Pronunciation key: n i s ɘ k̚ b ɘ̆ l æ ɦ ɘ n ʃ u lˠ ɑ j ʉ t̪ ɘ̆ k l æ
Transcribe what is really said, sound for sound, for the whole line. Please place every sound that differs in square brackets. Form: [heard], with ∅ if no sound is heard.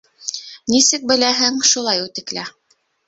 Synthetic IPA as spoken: n i s ɘ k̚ b ɘ̆ l æ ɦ ɘ [ŋ] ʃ u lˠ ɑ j ʉ t̪ ɘ̆ k l æ